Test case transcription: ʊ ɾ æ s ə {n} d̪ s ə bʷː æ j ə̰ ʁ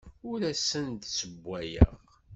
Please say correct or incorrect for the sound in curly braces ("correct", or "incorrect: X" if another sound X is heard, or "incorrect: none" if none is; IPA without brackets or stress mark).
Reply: correct